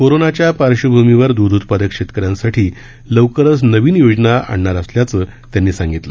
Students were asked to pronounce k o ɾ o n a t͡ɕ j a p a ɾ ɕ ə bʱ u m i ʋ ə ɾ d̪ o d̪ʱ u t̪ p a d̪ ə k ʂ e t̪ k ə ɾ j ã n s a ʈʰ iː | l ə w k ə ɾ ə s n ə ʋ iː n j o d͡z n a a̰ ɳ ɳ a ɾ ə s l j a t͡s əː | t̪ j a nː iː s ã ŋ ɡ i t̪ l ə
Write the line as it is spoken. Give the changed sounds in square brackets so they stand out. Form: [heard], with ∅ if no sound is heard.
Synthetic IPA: k o ɾ o n a t͡ɕ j a p a ɾ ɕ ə bʱ u m i ʋ ə ɾ d̪ [u] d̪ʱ u t̪ p a d̪ ə k ʂ e t̪ k ə ɾ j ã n s a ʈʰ iː | l ə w k ə ɾ ə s n ə ʋ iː n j o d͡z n a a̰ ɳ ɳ a ɾ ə s l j a t͡s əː | t̪ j a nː iː s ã ŋ ɡ i t̪ l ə